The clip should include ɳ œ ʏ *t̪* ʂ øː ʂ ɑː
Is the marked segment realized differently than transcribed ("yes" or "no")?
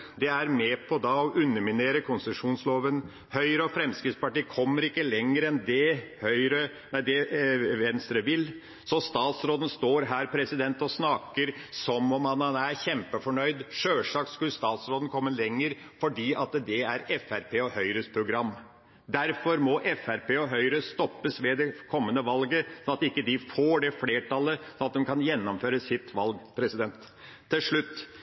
yes